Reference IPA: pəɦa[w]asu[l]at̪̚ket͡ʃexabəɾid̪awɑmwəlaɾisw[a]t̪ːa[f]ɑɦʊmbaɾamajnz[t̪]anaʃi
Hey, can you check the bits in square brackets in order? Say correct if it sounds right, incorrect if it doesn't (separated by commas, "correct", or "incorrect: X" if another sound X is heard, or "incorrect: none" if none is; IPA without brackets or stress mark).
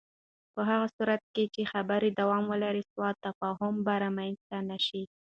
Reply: incorrect: ɣ, incorrect: ɾ, incorrect: ɑ, correct, correct